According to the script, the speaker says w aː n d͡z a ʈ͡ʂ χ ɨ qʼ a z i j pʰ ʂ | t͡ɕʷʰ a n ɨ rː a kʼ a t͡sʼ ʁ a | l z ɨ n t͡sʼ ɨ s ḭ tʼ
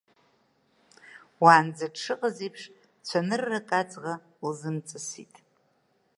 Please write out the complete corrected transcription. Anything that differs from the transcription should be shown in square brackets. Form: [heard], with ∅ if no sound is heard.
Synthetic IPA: w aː n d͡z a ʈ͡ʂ [ʂ] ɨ qʼ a z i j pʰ ʂ | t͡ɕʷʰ a n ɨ rː a kʼ a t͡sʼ ʁ a | l z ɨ [m] t͡sʼ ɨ s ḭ tʼ

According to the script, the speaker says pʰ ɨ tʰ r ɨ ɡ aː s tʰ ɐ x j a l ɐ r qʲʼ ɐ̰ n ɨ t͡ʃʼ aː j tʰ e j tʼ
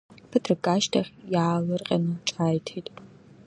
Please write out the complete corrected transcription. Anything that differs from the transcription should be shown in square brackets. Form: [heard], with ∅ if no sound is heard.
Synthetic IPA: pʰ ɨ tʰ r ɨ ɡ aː [ʃ] tʰ ɐ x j a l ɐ r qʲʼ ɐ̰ n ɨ t͡ʃʼ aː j tʰ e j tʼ

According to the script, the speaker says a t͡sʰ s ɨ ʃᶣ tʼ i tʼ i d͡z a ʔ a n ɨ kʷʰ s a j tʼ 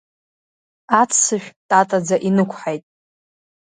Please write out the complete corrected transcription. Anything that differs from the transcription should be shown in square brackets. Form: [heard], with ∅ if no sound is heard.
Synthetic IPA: a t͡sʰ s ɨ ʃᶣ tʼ [a] tʼ [a] d͡z a ʔ [i] n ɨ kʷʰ [ħ] a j tʼ

